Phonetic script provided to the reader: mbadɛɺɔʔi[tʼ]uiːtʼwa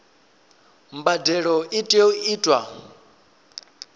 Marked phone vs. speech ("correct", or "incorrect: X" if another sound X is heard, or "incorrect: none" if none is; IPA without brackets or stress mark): correct